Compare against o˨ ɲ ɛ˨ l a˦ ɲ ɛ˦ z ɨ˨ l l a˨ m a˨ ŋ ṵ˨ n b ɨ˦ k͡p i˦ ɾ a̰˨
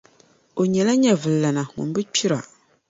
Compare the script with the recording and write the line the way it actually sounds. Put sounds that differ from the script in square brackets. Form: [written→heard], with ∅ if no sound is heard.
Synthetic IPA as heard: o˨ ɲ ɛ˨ l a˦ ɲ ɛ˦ [z→v] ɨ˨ l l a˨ [m→n] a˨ ŋ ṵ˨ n b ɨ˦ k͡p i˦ ɾ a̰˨